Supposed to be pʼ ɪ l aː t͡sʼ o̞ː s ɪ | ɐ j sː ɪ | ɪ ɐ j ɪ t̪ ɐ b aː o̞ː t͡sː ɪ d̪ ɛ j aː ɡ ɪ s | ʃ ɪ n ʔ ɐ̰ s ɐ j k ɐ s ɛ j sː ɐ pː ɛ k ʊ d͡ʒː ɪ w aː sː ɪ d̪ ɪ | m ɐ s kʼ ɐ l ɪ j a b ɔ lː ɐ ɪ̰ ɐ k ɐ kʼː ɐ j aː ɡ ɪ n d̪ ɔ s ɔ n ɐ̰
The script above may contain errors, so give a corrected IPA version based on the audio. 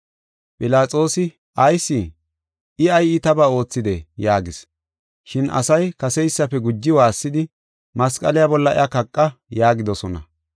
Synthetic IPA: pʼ ɪ l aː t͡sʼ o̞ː s ɪ | ɐ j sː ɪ | ɪ ɐ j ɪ t̪ ɐ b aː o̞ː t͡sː ɪ d̪ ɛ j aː ɡ ɪ s | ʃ ɪ n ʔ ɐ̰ s ɐ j k ɐ s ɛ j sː ɐ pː ɛ ɡ ʊ d͡ʒː ɪ w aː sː ɪ d̪ ɪ | m ɐ s kʼ ɐ l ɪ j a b ɔ lː ɐ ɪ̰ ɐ k ɐ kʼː ɐ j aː ɡ ɪ d̪ ɔ s ɔ n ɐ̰